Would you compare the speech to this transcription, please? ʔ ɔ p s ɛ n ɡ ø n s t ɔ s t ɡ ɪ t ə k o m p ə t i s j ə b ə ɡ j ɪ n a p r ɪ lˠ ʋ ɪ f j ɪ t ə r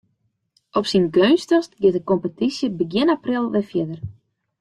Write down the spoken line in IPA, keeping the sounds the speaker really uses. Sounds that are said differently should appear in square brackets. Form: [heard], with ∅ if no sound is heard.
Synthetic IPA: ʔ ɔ p s [i] n ɡ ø n s t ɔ s t ɡ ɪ t ə k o m p ə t i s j ə b ə ɡ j ɪ n a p r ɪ lˠ ʋ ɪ f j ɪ [d] ə r